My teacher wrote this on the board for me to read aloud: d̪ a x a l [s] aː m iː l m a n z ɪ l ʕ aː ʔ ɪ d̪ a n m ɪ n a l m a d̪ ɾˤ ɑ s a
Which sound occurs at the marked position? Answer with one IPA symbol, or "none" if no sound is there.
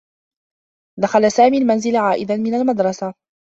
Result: s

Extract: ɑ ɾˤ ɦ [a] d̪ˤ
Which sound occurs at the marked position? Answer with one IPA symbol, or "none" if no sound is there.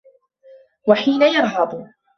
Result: ɑ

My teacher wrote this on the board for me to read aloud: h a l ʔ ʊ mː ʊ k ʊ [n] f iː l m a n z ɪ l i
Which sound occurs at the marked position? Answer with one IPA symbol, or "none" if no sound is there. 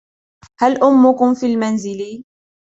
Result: m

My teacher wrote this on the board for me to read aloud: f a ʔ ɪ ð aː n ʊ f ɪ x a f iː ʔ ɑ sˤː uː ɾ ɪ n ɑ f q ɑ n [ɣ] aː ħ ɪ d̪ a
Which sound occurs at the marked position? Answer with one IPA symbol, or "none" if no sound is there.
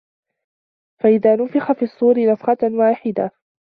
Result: w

